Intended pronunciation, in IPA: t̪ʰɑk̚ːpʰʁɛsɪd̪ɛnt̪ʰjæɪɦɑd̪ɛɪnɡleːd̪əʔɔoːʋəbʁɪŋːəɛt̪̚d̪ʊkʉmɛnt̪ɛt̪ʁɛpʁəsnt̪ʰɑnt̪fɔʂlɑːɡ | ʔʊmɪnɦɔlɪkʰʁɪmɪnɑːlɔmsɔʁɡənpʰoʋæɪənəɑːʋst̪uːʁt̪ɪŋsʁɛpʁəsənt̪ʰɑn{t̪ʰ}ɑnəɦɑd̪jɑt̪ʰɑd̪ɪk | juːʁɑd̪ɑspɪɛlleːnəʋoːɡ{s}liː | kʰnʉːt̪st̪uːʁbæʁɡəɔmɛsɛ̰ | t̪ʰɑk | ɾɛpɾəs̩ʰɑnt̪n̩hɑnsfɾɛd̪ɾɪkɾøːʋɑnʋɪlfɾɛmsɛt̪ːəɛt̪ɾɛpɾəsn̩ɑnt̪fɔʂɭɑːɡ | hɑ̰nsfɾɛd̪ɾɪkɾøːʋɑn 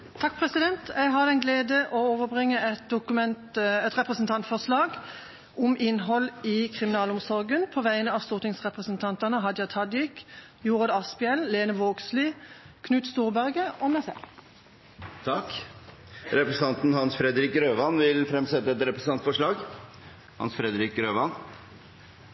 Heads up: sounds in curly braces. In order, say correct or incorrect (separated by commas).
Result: incorrect, correct